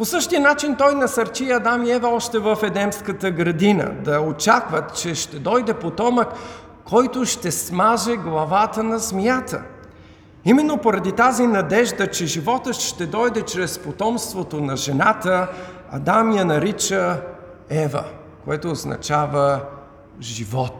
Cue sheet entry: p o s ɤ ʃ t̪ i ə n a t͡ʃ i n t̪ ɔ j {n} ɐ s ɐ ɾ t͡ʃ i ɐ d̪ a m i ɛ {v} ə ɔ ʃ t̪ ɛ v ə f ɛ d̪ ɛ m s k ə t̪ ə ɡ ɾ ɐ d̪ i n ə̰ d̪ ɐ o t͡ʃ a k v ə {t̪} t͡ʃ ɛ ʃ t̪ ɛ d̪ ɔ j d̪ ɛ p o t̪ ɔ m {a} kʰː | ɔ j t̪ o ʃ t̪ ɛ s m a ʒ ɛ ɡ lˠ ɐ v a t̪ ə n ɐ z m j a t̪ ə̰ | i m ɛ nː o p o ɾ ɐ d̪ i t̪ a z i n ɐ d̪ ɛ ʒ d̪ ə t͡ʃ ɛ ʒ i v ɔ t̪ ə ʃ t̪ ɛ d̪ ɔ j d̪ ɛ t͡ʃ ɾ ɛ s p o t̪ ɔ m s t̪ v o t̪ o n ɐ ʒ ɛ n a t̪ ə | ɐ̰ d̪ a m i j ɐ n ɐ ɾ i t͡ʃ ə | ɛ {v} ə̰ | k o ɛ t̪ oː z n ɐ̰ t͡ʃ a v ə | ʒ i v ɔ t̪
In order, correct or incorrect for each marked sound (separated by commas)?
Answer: correct, correct, correct, incorrect, correct